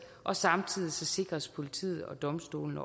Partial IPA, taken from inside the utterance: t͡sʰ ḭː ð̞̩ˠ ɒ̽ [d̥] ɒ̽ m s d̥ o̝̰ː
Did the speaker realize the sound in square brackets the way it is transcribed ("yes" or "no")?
yes